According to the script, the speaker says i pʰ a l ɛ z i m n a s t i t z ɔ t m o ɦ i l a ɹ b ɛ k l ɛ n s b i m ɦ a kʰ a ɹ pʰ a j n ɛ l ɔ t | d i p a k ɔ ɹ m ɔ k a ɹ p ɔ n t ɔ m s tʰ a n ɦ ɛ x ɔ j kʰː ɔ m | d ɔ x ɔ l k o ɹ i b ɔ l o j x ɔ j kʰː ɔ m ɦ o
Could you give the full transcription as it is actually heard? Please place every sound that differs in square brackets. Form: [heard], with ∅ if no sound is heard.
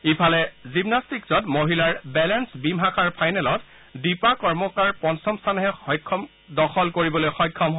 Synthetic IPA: i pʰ a l ɛ z i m n a s t i [k] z ɔ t m o ɦ i l a ɹ b ɛ [∅] l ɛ n s b i m ɦ a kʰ a ɹ pʰ a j n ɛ l ɔ t | d i p a k ɔ ɹ m ɔ k a ɹ p ɔ n [s] ɔ m s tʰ a n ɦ ɛ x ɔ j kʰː ɔ m | d ɔ x ɔ l k o ɹ i b ɔ l o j x ɔ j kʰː ɔ m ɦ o